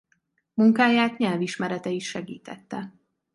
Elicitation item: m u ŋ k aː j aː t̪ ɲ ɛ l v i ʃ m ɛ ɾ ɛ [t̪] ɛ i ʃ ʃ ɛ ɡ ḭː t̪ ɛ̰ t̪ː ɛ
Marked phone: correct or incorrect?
correct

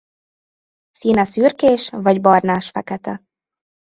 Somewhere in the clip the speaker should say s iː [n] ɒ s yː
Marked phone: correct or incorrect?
correct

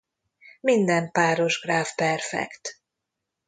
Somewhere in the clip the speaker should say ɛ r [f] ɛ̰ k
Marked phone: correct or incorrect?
correct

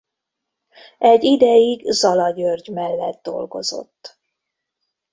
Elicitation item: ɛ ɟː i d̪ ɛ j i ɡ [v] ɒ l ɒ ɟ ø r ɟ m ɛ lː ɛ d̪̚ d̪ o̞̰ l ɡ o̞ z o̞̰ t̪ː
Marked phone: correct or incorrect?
incorrect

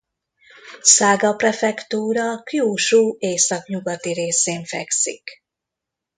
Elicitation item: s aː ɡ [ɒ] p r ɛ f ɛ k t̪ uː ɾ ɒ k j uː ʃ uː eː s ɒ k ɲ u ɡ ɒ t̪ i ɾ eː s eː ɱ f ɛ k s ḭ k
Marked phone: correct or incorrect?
correct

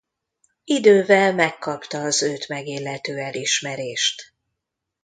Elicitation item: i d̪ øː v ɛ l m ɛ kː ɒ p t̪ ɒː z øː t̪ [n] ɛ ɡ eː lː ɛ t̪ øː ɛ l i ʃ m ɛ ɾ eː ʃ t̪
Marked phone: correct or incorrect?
incorrect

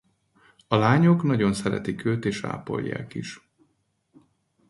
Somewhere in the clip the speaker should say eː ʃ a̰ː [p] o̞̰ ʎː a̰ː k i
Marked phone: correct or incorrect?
correct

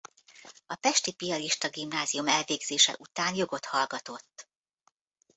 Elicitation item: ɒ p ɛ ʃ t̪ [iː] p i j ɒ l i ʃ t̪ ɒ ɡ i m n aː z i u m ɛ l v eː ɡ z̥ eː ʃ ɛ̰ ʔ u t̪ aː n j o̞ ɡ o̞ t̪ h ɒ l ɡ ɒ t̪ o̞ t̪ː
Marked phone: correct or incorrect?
incorrect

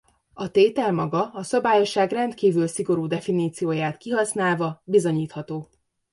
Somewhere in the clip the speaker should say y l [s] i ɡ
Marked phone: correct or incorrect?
correct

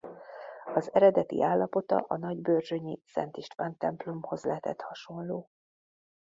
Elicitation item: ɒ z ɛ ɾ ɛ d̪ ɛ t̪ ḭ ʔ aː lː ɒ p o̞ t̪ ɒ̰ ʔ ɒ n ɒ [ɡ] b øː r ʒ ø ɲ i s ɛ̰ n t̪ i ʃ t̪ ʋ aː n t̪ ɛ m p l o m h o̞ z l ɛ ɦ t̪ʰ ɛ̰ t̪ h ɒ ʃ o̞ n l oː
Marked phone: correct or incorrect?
incorrect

